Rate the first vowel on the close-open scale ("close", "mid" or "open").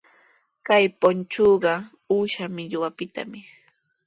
open